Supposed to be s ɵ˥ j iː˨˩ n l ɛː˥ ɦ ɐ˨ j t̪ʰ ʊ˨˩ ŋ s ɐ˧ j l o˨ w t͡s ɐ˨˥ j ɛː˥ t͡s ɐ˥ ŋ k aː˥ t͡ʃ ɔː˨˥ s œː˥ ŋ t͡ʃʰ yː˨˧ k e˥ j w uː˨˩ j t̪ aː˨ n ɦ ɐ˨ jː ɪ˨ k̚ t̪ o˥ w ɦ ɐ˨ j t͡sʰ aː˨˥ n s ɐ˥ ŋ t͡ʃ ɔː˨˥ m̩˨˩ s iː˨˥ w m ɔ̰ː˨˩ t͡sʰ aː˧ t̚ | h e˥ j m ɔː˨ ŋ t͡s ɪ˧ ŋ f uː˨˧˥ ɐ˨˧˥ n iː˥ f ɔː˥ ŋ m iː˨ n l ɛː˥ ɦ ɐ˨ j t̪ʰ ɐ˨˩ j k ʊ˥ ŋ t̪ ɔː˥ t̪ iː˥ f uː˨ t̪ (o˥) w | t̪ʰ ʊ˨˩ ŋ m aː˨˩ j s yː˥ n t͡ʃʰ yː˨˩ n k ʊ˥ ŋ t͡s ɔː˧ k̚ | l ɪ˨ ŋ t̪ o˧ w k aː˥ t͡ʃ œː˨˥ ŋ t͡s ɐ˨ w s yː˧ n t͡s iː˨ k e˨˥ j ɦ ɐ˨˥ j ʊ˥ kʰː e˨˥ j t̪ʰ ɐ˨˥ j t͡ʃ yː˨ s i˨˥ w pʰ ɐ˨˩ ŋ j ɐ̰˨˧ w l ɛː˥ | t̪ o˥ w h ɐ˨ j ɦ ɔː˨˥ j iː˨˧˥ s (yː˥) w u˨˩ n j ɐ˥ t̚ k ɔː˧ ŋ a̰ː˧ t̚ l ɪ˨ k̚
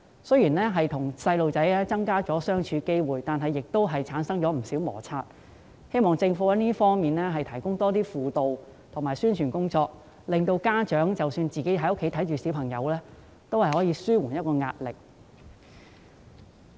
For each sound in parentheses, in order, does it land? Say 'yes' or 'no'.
no, yes

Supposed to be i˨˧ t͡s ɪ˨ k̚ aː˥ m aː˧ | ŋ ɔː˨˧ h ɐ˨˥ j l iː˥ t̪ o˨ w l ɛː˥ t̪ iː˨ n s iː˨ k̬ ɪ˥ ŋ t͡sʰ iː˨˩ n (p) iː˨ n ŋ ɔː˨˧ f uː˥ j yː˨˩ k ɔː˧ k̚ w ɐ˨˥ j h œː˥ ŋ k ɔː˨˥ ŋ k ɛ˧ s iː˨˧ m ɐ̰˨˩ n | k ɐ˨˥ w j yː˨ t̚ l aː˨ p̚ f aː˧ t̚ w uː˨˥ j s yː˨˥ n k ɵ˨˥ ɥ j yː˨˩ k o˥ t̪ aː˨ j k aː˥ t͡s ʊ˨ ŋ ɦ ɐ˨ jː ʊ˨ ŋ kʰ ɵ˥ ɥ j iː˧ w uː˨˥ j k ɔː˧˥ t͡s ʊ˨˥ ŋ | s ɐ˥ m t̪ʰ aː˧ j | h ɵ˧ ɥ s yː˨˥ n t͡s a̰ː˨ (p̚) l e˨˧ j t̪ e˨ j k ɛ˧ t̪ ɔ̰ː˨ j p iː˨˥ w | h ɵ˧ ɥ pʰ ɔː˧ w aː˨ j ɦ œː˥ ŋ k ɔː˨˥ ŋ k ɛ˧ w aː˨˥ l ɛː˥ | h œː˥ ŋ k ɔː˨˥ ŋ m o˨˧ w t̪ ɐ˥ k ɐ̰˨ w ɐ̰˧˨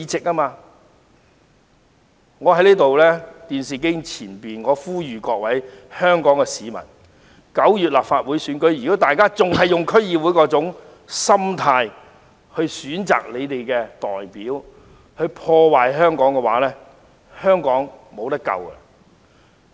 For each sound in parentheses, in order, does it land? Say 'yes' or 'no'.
yes, no

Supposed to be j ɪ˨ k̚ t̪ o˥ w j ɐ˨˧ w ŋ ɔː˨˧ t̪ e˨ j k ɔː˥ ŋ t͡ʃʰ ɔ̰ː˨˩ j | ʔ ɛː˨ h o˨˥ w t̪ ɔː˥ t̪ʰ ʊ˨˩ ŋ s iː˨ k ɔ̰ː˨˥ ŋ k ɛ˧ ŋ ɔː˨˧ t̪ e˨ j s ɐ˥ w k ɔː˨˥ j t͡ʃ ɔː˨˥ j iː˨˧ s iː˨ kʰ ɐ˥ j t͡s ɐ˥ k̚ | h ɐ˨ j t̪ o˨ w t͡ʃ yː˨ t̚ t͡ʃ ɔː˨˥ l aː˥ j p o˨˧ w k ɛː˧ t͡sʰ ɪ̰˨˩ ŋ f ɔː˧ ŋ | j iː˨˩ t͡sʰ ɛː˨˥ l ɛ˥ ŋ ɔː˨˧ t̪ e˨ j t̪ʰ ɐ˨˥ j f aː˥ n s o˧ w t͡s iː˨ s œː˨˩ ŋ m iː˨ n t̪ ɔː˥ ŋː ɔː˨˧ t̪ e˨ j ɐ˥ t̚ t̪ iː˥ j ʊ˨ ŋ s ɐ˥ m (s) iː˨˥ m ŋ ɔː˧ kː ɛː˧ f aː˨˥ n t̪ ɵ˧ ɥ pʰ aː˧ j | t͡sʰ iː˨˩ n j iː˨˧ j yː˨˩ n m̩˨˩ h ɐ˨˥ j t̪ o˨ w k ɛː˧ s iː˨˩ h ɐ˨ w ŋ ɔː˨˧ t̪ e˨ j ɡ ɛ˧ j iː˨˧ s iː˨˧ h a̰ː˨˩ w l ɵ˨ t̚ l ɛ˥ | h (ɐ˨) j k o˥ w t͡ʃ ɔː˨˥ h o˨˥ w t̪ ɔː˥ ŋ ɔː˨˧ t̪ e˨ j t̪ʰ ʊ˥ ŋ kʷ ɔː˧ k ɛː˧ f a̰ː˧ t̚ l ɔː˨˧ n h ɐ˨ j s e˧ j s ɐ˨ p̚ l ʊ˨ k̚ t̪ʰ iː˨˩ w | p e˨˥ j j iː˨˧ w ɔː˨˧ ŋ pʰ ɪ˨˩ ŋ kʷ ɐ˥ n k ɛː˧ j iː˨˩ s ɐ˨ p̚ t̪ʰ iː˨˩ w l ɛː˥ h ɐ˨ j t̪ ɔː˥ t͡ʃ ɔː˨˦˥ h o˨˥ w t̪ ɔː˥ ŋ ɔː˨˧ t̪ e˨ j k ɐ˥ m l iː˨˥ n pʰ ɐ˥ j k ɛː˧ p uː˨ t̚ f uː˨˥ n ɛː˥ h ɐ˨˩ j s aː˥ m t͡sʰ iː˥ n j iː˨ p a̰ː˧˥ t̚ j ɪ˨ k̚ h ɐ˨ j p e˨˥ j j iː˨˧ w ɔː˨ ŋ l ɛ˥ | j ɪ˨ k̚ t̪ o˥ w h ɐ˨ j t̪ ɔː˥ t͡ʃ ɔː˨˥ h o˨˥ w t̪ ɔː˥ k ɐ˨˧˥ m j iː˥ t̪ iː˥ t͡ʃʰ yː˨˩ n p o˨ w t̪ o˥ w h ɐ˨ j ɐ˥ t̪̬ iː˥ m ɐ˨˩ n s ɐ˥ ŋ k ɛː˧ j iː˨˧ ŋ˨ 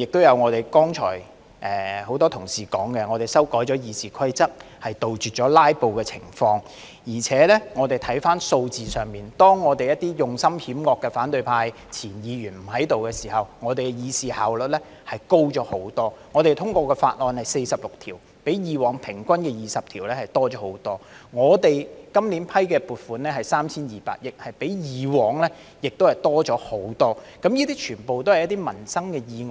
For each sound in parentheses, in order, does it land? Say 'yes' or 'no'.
no, yes

